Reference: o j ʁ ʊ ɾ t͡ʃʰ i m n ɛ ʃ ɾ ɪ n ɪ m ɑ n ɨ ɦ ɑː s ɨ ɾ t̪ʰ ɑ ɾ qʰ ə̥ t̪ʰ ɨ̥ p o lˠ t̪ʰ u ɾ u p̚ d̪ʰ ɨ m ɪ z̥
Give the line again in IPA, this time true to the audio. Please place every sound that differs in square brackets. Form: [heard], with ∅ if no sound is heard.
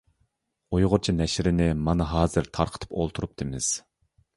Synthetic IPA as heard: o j ʁ ʊ ɾ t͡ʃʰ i [∅] n ɛ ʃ ɾ ɪ n ɪ m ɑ n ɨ ɦ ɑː [z] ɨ ɾ t̪ʰ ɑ ɾ qʰ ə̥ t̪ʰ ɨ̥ p o lˠ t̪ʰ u ɾ u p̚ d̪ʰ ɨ m ɪ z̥

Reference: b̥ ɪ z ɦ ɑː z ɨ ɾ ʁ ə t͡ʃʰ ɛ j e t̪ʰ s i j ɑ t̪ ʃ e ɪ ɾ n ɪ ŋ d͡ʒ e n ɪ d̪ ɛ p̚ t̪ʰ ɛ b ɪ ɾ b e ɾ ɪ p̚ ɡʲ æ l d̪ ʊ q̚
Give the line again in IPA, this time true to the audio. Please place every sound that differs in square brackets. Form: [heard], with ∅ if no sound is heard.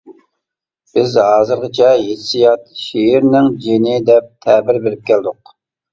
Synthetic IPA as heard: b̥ ɪ z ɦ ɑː z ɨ ɾ ʁ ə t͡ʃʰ ɛ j e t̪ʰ s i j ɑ t̪ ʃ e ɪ ɾ n ɪ ŋ d͡ʒ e n ɪ d̪ ɛ p̚ t̪ʰ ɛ b ɪ ɾ b e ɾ ɪ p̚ [kʲ] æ l d̪ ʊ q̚

